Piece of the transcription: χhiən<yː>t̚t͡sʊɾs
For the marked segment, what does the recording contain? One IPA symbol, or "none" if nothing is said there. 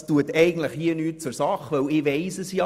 yː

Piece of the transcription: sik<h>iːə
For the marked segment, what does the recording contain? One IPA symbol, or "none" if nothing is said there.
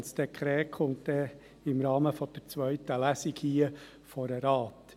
h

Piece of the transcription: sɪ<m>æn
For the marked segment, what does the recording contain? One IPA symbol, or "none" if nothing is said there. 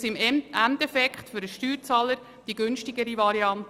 m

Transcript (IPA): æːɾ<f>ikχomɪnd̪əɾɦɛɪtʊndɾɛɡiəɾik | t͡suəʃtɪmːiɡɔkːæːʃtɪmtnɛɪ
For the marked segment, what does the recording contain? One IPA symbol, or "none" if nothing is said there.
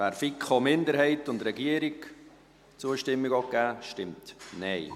f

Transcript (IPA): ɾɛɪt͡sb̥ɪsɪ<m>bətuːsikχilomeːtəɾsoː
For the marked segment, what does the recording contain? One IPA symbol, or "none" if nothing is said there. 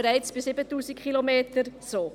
none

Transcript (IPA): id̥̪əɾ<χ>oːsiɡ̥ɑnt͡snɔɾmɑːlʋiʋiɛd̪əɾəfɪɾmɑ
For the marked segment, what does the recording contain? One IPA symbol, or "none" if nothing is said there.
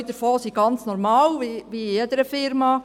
f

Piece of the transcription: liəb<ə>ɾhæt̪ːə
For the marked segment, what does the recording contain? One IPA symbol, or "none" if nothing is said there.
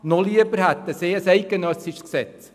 ə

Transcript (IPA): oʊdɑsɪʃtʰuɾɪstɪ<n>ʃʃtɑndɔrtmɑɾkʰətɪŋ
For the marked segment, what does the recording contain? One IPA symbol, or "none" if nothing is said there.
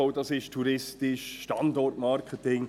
none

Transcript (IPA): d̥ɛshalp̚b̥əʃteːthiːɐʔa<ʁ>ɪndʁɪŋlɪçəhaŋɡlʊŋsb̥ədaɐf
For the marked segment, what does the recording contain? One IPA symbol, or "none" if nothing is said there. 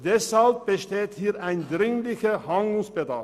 none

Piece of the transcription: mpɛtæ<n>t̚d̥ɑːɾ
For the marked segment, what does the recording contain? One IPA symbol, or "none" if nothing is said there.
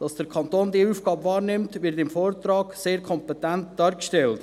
n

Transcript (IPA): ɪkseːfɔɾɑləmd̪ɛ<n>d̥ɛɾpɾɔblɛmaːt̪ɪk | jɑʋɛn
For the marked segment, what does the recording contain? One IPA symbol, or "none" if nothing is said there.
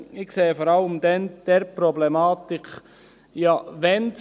n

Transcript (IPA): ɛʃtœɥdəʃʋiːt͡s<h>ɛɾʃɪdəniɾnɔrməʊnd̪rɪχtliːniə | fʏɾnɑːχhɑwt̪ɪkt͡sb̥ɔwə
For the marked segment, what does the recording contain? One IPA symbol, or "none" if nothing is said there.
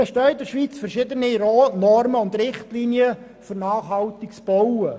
f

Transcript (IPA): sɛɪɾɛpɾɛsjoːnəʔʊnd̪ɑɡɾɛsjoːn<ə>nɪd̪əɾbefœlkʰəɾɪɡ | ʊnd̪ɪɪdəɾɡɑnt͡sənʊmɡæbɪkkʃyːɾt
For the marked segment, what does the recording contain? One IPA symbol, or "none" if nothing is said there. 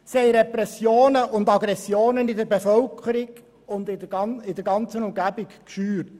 ə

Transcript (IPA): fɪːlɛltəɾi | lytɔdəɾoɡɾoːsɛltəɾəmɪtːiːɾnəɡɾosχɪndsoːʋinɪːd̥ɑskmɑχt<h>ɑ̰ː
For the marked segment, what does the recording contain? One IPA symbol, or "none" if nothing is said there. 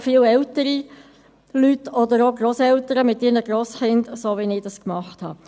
h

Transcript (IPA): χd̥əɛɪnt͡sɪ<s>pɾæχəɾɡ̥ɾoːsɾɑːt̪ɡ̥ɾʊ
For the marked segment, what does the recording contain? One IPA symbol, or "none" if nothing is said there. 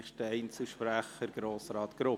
ʃ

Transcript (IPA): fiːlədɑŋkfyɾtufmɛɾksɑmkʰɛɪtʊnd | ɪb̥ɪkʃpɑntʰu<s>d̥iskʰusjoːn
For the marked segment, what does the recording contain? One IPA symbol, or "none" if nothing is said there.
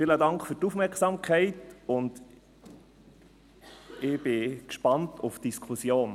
f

